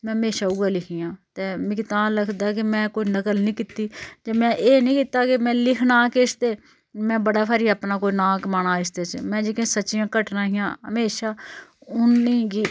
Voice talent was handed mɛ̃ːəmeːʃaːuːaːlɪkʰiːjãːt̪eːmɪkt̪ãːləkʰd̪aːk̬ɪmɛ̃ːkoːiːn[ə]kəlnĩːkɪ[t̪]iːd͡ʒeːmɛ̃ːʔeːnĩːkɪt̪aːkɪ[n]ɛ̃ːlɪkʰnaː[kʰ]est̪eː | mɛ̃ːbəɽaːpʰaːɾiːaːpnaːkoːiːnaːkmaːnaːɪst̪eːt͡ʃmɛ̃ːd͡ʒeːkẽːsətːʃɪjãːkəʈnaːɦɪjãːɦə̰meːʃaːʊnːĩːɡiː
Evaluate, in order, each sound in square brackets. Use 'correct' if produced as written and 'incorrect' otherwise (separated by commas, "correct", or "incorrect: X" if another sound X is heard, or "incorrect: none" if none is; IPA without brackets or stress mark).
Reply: correct, correct, incorrect: m, incorrect: k